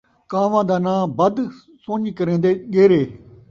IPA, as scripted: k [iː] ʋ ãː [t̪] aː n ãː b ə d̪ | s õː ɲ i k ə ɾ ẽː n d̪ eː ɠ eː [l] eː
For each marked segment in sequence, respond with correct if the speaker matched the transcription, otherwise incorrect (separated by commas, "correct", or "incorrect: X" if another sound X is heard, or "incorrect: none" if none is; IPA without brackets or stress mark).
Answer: incorrect: aː, incorrect: d̪, incorrect: ɾ